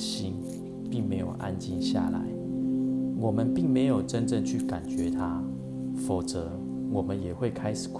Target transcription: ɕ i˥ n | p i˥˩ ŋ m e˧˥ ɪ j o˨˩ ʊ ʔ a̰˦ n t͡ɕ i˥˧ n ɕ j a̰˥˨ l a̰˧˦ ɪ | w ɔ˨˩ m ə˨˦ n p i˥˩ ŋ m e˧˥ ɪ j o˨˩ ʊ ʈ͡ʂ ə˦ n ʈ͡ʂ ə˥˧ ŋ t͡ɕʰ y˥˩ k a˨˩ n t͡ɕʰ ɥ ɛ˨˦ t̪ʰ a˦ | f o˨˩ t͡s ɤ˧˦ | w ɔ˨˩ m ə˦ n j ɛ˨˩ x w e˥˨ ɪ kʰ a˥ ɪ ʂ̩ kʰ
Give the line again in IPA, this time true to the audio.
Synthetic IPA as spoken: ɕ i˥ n | p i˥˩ ŋ m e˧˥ ɪ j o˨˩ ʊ ʔ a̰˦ n t͡ɕ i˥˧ n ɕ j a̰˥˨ l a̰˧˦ ɪ | w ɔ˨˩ m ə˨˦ n p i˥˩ ŋ m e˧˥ ɪ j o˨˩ ʊ ʈ͡ʂ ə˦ n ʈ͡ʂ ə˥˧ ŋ t͡ɕʰ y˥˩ k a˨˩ n t͡ɕ ɥ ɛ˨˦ t̪ʰ a˦ | f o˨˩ t͡s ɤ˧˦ | w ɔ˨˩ m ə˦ n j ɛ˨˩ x w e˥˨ ɪ kʰ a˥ ɪ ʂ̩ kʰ

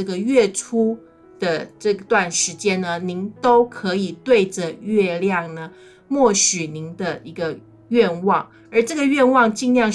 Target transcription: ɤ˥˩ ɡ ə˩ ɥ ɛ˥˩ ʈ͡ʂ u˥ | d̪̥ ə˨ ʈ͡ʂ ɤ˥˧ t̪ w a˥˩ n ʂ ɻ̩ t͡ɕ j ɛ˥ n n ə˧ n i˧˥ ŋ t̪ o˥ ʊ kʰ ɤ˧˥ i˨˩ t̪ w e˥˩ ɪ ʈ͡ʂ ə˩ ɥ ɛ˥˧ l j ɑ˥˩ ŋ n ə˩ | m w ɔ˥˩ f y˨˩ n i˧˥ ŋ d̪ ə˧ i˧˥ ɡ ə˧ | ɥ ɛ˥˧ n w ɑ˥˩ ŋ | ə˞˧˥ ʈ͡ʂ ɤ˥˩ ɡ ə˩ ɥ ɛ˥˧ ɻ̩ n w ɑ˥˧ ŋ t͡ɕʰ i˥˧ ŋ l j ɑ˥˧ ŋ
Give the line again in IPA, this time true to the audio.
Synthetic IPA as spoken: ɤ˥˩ ɡ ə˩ ɥ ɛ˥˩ ʈ͡ʂʰ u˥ | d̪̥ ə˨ ʈ͡ʂ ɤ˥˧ t̪ w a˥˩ n ʂ ɻ̩ t͡ɕ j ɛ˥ n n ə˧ n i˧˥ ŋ t̪ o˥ ʊ kʰ ɤ˧˥ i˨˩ t̪ w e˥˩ ɪ ʈ͡ʂ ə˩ ɥ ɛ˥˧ l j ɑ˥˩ ŋ n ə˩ | m w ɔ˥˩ ɕ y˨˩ n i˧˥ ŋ d̪ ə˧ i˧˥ ɡ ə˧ | ɥ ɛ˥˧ n w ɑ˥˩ ŋ | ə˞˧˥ ʈ͡ʂ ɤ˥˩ ɡ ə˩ ɥ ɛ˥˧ n w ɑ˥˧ ŋ t͡ɕ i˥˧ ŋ l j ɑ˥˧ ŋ

